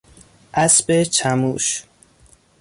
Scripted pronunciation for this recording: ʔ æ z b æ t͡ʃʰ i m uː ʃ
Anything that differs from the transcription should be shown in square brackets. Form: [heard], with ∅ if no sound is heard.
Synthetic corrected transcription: ʔ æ [s] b [e] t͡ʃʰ [æ] m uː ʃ